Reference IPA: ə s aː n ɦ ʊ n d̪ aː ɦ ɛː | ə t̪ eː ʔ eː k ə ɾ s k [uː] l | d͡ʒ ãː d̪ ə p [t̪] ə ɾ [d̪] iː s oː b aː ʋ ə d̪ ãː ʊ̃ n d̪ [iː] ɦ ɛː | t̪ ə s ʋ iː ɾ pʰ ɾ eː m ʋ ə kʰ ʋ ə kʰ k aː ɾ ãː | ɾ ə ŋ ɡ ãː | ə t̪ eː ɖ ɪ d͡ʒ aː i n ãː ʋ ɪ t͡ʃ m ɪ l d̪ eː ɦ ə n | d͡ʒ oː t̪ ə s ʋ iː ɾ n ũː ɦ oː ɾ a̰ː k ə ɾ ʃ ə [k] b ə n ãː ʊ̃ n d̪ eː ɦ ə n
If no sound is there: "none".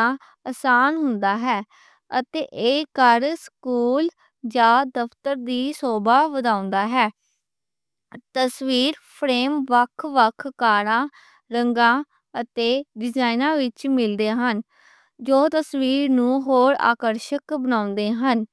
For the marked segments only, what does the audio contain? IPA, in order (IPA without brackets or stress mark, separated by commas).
uː, t̪, d̪, aː, k